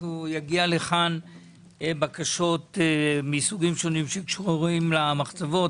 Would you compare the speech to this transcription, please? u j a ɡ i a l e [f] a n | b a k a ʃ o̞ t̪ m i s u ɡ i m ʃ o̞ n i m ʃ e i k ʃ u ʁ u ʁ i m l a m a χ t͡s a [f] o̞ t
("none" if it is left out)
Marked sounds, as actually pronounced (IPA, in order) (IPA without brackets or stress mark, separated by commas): χ, v